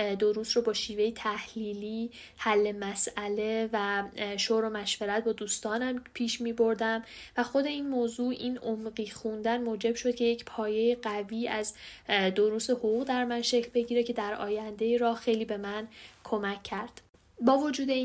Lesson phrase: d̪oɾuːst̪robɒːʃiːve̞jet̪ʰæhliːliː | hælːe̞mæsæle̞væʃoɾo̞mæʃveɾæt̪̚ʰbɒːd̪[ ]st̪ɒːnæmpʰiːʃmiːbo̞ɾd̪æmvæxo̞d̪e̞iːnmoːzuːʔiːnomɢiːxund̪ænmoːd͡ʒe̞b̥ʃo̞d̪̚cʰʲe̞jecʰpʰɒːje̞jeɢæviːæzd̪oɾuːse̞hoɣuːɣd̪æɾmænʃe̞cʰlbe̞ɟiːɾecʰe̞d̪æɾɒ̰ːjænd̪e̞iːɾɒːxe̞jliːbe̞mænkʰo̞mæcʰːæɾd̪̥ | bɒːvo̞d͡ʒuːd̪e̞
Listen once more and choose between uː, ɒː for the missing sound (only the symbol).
uː